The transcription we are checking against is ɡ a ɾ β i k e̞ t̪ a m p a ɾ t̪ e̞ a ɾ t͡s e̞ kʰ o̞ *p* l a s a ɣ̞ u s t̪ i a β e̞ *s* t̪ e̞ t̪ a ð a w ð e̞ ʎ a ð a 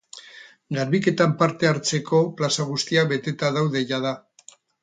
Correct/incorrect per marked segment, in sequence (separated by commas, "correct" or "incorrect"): correct, incorrect